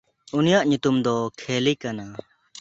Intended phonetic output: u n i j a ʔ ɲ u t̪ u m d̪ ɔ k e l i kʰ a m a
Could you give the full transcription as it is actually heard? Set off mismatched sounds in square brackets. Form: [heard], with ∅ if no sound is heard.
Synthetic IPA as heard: u n i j a ʔ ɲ u t̪ u m d̪ ɔ [kʰ] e l i [k] a [n] a